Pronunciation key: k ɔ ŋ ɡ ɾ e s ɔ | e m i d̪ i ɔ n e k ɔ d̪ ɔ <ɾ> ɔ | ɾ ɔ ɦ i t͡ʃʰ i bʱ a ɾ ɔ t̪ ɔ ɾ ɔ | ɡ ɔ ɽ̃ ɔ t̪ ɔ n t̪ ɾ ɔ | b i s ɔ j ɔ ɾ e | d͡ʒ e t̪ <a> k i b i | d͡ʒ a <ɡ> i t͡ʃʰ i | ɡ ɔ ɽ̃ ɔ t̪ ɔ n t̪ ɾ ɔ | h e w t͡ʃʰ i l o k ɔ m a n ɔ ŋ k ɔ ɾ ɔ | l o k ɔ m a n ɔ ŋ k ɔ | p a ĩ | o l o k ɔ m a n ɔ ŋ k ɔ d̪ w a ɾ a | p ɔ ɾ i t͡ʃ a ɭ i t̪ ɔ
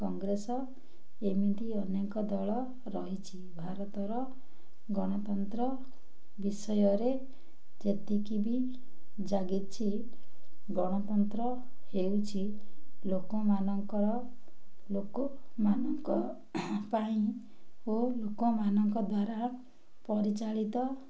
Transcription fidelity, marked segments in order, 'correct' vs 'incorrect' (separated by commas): incorrect, incorrect, correct